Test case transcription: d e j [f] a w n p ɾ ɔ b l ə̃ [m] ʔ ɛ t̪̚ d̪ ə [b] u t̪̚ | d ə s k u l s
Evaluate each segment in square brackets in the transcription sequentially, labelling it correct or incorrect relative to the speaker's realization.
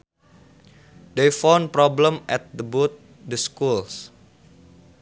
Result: correct, correct, correct

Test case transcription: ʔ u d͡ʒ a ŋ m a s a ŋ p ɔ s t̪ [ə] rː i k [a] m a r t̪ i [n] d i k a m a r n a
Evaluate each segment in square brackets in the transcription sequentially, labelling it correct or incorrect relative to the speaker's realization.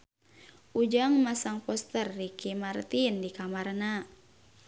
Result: correct, incorrect, correct

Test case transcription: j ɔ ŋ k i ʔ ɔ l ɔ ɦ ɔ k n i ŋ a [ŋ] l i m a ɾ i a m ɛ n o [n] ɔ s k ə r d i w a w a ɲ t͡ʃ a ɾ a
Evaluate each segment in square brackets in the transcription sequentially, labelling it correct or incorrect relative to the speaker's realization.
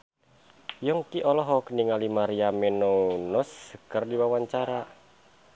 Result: incorrect, correct

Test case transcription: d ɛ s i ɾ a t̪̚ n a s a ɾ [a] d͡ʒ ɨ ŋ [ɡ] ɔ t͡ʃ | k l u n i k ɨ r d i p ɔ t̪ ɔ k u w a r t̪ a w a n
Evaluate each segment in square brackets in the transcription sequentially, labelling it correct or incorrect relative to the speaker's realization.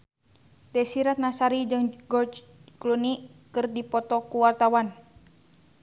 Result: incorrect, correct

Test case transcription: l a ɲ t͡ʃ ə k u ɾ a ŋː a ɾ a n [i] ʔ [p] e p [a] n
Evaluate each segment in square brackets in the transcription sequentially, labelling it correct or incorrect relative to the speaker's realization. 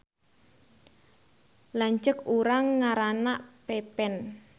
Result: incorrect, correct, incorrect

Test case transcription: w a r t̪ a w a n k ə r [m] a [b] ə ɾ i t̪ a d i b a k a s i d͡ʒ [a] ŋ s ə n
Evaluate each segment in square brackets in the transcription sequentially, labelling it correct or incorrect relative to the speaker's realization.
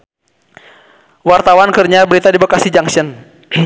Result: incorrect, correct, correct

